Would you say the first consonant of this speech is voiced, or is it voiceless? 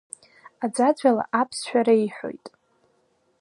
voiced